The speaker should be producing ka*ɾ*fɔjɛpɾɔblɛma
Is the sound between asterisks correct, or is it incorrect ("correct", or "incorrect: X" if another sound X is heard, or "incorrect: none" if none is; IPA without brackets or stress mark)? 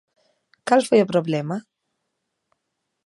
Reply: incorrect: l